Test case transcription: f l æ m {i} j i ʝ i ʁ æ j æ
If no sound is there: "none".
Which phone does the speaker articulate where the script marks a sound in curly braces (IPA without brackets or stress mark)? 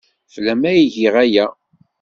æ